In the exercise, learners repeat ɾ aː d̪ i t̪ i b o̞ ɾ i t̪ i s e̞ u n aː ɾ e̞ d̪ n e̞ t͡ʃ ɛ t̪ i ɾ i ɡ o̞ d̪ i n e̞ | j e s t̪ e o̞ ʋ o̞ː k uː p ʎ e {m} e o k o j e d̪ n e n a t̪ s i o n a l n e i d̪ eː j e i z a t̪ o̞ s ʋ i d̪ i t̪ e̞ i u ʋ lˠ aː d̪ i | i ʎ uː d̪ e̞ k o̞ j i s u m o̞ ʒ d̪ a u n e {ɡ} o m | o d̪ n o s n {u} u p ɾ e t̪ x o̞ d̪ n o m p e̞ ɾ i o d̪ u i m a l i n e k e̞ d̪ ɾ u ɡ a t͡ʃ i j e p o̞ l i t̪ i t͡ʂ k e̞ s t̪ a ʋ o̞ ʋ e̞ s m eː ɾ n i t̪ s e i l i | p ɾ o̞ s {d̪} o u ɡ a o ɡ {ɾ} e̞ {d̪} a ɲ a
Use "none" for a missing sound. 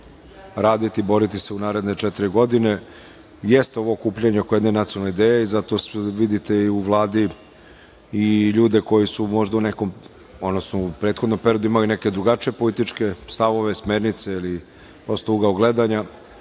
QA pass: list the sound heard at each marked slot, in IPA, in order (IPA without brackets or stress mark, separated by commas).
ɲ, k, o, t̪, l, d̪